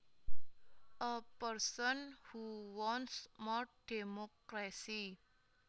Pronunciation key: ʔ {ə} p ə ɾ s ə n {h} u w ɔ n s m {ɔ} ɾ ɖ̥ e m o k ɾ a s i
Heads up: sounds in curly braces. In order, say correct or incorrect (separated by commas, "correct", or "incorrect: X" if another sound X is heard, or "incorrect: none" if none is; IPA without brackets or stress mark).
correct, correct, correct